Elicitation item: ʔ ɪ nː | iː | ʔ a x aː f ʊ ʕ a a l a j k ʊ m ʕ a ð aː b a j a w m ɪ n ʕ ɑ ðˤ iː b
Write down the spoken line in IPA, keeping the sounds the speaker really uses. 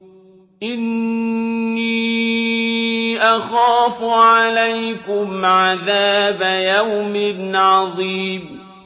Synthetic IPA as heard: ʔ ɪ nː | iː | ʔ a x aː f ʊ ʕ a a l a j k ʊ m ʕ a ð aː b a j a w m ɪ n ʕ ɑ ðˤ iː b